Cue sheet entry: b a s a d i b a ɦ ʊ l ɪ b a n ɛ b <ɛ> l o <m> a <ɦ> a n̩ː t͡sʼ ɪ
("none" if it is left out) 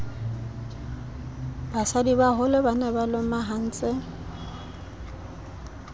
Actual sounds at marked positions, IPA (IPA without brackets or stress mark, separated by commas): a, m, ɦ